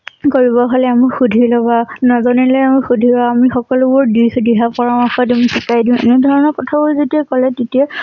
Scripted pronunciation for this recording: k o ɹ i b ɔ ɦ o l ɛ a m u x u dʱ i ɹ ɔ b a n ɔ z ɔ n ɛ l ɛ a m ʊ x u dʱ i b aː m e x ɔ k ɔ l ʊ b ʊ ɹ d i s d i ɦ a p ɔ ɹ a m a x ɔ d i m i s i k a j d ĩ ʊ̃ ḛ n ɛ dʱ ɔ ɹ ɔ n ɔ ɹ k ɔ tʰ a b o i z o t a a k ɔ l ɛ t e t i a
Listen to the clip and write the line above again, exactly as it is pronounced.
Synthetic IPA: k o ɹ i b ɔ ɦ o l ɛ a m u x u dʱ i l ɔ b a n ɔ z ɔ n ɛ l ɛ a m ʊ x u dʱ i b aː m i x ɔ k ɔ l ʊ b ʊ ɹ d i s d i ɦ a p ɔ ɹ a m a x ɔ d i m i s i k a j d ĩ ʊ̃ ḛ n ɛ dʱ ɔ ɹ ɔ n ɔ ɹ k ɔ tʰ a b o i z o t i a k ɔ l ɛ t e t i a